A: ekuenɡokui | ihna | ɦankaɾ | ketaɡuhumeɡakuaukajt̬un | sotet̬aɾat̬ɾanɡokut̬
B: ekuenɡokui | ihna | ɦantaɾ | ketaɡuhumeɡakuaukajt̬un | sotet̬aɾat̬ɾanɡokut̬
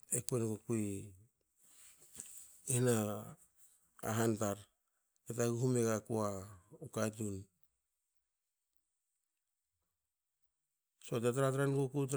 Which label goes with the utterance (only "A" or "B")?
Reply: B